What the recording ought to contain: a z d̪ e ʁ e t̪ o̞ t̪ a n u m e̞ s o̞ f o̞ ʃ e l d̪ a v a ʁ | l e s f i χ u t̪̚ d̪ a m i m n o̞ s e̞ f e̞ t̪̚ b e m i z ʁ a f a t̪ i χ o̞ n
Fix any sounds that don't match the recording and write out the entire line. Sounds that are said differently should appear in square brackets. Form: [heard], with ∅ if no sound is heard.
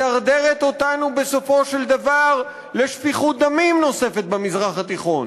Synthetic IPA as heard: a [ʁ] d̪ e ʁ e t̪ o̞ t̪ a n u [b] e̞ s o̞ f o̞ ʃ e l d̪ a v a ʁ | l e [ʃ] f i χ u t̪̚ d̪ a m i m n o̞ s e̞ f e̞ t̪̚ b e m i z ʁ a [χ] a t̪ i χ o̞ n